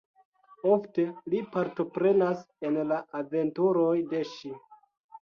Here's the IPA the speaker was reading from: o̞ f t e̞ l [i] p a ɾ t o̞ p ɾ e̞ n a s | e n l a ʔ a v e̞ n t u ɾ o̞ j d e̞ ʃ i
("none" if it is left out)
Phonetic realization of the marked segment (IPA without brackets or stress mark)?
i